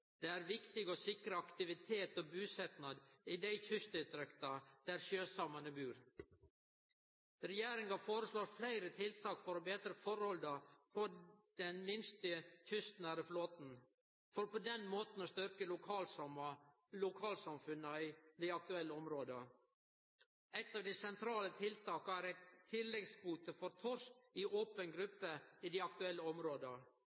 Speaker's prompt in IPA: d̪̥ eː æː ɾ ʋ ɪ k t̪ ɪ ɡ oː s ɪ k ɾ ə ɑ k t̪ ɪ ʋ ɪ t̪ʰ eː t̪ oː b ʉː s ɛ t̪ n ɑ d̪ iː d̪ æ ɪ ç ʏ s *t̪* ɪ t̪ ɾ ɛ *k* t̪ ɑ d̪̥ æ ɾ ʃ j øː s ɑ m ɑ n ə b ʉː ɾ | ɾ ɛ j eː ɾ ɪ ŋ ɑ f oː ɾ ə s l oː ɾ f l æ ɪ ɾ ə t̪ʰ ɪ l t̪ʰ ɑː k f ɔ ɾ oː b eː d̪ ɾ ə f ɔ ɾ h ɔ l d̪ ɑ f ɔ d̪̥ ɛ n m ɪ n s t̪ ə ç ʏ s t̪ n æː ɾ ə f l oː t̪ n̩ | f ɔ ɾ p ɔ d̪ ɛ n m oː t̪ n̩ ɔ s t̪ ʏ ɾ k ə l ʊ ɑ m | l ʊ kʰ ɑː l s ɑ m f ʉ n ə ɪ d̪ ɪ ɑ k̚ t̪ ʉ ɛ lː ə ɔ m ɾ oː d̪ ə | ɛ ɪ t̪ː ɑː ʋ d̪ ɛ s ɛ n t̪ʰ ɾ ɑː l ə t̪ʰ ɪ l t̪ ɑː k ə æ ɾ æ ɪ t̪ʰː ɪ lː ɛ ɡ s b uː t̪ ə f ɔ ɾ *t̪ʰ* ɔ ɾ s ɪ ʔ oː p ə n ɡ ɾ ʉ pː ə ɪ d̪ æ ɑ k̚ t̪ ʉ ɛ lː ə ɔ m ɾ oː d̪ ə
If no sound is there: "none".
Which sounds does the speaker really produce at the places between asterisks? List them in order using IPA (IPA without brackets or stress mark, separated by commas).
t̪, k, t̪ʰ